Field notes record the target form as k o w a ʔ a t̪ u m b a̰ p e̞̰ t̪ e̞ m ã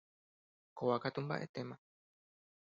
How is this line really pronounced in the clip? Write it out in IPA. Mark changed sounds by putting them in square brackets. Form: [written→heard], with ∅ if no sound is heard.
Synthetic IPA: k o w a [ʔ→k] a t̪ u m b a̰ [p→ʔ] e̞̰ t̪ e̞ m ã